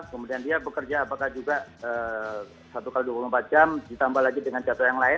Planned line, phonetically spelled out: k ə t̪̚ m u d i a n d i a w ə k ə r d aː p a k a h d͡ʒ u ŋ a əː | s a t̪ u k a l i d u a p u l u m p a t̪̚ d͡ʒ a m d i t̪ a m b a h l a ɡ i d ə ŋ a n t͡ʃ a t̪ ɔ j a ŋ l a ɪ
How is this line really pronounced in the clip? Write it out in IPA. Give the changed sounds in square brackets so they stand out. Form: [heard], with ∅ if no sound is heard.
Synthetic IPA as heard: k ə [∅] m u d i a n d i a [b] ə k ə r [d͡ʒ] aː p a k a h d͡ʒ u [ɡ] a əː | s a t̪ u k a l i d u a p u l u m p a t̪̚ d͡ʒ a m d i t̪ a m b a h l a ɡ i d ə ŋ a n t͡ʃ a t̪ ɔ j a ŋ l a ɪ